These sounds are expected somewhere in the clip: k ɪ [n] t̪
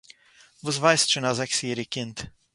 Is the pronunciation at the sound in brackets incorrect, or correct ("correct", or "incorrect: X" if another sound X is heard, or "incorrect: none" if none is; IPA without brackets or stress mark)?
correct